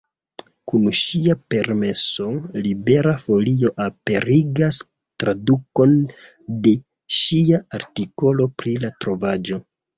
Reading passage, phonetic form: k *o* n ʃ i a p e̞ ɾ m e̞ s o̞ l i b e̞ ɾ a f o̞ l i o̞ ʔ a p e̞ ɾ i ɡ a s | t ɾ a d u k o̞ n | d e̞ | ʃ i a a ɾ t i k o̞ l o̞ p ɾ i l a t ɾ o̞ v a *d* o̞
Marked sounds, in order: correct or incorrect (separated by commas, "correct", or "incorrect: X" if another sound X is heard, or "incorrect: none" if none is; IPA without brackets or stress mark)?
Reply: incorrect: u, incorrect: d͡ʒ